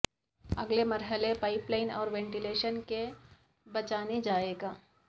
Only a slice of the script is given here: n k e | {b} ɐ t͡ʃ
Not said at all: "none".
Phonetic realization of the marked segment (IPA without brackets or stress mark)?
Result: b